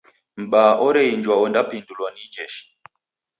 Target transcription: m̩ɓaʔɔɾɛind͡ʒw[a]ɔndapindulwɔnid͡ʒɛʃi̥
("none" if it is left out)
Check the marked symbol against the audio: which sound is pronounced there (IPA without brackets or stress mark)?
a